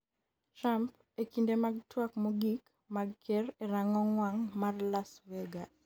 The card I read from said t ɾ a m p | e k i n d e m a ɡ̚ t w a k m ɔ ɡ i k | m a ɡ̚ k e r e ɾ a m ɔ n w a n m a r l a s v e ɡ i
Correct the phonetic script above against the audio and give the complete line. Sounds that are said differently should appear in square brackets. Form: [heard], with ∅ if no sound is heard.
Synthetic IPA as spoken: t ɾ a m p | e k i n d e m a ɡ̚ t w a k m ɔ ɡ i k | m a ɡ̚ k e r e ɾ a [ŋ] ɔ [ŋ] w a [ŋ] m a r l a s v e ɡ [a]